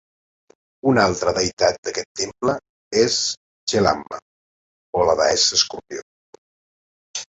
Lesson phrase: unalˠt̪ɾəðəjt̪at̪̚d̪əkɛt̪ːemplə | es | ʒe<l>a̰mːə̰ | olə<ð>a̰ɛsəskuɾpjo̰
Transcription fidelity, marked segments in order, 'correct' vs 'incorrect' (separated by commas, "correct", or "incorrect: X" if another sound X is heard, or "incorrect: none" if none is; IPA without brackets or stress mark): correct, correct